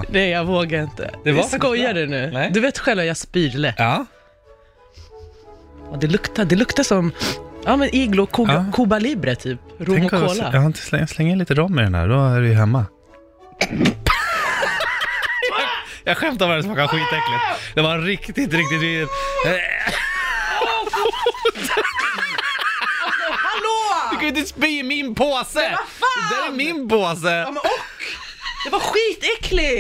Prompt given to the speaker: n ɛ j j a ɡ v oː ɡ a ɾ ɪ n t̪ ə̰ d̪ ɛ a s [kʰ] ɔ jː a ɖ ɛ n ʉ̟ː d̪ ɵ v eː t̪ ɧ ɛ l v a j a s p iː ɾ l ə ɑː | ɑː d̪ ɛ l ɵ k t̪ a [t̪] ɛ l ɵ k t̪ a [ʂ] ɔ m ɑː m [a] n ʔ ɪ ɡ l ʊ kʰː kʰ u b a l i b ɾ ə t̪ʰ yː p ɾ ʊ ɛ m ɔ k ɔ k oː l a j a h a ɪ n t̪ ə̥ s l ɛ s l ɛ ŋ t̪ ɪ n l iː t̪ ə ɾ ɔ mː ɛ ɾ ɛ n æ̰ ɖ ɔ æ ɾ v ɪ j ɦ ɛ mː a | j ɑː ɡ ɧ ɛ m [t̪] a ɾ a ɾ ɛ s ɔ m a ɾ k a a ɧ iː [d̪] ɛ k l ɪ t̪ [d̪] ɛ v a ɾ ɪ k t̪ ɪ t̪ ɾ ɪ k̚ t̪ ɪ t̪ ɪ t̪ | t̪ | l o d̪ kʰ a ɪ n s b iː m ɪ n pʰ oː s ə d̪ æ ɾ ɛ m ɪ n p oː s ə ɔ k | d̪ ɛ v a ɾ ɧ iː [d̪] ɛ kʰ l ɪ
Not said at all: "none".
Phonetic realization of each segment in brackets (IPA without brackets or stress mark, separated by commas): k, d̪, s, ɛ, t̪, t̪, d̪, t̪